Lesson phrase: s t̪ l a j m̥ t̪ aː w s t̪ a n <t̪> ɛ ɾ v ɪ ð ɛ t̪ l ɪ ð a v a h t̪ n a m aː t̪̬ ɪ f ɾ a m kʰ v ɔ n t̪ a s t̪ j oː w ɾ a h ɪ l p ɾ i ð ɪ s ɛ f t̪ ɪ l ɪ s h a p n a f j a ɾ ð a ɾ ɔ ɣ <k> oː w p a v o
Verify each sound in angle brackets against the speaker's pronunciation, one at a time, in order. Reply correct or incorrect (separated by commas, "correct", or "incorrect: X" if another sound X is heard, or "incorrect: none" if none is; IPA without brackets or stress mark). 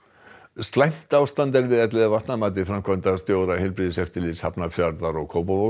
correct, incorrect: kʰ